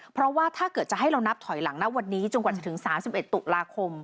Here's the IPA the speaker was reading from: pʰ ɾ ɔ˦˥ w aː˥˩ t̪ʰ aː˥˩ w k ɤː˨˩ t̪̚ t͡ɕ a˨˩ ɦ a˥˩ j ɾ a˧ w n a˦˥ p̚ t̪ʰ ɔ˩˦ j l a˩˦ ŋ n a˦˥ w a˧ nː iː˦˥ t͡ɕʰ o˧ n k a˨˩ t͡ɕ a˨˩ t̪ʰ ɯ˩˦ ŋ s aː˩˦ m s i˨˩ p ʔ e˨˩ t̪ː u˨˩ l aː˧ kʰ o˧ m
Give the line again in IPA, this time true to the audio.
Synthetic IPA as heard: pʰ ɾ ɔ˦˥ w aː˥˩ t̪ʰ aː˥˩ k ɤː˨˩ t̪̚ t͡ɕ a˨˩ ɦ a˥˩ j ɾ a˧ w n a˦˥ p̚ t̪ʰ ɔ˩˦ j l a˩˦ ŋ n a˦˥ w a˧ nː iː˦˥ t͡ɕ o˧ n k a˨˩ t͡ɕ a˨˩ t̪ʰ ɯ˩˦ ŋ s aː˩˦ m s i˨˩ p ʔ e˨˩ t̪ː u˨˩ l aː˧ kʰ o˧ m